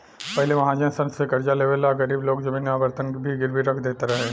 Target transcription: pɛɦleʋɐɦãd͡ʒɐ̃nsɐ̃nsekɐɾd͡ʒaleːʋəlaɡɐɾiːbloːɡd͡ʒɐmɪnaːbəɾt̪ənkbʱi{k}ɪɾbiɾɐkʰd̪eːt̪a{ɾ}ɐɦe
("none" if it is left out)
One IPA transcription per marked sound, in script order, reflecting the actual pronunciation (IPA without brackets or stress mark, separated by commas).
ɡ, ɾ